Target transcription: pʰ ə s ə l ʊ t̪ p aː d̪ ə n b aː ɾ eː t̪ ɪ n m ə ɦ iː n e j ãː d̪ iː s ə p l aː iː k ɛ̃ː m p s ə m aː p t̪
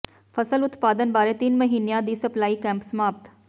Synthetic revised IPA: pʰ ə s ə l ʊ t̪ p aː d̪ ə n b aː ɾ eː t̪ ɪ n m ə ɦ iː n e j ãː d̪ iː s ə p l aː iː k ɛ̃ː m p s ə m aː p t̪